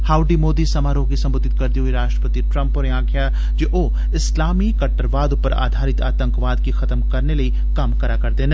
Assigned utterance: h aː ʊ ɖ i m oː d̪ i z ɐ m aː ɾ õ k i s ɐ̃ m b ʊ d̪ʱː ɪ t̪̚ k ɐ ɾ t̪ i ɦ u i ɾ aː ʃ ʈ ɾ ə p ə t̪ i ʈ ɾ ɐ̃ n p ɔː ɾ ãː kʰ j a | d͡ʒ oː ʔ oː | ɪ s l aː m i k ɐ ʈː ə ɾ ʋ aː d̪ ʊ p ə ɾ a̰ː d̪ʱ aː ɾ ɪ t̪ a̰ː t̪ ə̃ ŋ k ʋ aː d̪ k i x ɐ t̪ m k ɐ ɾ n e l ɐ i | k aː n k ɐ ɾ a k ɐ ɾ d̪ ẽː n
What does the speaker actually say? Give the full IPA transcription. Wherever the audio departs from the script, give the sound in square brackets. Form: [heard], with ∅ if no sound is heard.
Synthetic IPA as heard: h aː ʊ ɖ i m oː d̪ i [s] ɐ m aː ɾ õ k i s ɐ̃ m b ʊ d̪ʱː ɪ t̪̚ k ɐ ɾ t̪ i ɦ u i ɾ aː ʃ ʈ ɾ ə p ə t̪ i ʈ ɾ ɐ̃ [m] p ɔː ɾ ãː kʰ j a | d͡ʒ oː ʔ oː | ɪ s l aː m i k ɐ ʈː ə ɾ ʋ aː d̪ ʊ p ə ɾ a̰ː d̪ʱ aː ɾ ɪ t̪ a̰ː t̪ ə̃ ŋ k ʋ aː d̪ k i x ɐ t̪ m k ɐ ɾ n e l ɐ i | k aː [m] k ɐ ɾ a k ɐ ɾ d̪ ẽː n